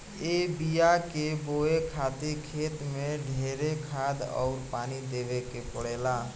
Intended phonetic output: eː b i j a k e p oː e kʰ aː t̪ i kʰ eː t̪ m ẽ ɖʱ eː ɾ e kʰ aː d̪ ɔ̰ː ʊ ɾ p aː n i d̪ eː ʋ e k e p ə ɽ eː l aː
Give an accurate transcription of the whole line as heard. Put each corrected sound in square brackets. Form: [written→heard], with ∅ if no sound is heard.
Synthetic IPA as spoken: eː b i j a k e [p→b] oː e kʰ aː t̪ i kʰ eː t̪ m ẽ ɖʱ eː ɾ e kʰ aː d̪ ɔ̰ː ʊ ɾ p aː n i d̪ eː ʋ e k e p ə ɽ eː l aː